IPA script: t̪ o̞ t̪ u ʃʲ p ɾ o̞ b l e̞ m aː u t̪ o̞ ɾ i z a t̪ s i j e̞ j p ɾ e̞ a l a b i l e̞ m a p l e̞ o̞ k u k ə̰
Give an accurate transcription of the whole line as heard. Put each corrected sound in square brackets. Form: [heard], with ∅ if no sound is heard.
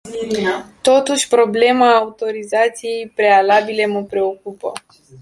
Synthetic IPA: t̪ o̞ t̪ u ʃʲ p ɾ o̞ b l e̞ m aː u t̪ o̞ ɾ i z a t̪ s i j e̞ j p ɾ e̞ a l a b i l e̞ m [ə] p [ɾ] e̞ o̞ k u [p] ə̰

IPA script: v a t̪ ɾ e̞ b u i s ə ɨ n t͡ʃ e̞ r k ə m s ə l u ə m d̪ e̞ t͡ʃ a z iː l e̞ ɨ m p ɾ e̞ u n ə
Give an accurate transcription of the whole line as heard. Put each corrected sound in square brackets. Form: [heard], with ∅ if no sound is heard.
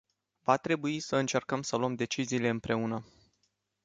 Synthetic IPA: v a t̪ ɾ e̞ b u i s ə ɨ n t͡ʃ e̞ r k ə m s ə l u ə m d̪ e̞ t͡ʃ [i] z iː l e̞ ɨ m p ɾ e̞ u n ə

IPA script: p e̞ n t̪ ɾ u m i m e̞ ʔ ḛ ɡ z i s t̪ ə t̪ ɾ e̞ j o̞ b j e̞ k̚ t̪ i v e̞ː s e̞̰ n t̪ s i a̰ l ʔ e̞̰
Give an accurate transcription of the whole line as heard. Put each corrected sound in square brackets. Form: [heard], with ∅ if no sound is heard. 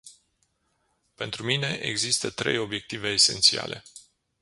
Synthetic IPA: p e̞ n t̪ ɾ u m i [n] e̞ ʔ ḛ ɡ z i s t̪ ə t̪ ɾ e̞ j o̞ b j e̞ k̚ t̪ i v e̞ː s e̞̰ n t̪ s i a̰ l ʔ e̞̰

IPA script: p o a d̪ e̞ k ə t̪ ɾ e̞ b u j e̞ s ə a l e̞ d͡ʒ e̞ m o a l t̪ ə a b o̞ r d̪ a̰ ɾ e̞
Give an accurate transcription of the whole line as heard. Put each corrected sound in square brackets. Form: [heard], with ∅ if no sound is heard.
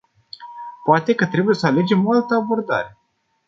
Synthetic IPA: p o a [t̪] e̞ k ə t̪ ɾ e̞ b u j e̞ s ə a l e̞ d͡ʒ e̞ m o a l t̪ ə a b o̞ r d̪ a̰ ɾ e̞

